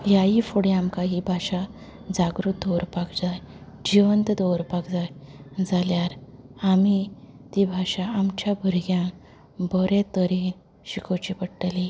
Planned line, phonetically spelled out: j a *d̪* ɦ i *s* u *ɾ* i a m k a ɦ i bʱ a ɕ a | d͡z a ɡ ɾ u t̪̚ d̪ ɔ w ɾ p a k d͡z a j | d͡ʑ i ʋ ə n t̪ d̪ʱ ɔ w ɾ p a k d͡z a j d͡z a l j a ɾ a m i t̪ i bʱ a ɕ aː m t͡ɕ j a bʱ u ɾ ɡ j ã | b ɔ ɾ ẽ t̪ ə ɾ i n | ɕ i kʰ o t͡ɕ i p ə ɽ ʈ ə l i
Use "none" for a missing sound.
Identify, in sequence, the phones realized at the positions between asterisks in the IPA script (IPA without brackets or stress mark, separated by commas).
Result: none, f, ɽ